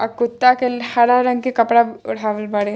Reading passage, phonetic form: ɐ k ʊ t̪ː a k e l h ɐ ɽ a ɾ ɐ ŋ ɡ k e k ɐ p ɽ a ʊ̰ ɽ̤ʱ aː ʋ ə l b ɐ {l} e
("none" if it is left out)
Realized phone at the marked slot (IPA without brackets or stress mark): ɽ